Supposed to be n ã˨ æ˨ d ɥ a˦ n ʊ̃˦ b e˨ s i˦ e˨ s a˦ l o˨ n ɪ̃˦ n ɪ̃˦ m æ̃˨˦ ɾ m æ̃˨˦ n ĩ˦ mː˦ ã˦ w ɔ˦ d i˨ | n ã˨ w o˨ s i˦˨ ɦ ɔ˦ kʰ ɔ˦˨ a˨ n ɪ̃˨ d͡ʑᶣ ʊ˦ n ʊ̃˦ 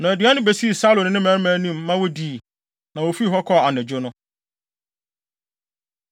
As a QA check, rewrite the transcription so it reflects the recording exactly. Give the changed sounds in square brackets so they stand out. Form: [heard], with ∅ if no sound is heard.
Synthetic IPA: n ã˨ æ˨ d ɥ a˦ n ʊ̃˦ b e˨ s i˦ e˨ s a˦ l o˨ n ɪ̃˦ n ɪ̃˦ m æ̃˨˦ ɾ m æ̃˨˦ n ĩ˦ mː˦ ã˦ w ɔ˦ d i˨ | n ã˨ w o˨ [f] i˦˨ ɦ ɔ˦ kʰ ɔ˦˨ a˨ n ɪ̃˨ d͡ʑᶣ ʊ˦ n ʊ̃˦